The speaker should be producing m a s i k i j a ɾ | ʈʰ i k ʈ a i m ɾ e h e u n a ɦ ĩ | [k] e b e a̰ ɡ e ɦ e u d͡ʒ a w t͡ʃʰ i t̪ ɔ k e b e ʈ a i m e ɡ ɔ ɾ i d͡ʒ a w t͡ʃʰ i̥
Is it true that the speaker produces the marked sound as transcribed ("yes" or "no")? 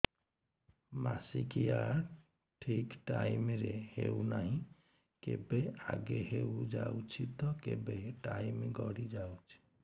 yes